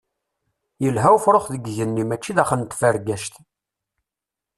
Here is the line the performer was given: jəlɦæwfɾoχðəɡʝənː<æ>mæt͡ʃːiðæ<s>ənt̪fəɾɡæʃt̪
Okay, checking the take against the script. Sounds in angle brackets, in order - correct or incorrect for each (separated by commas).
incorrect, incorrect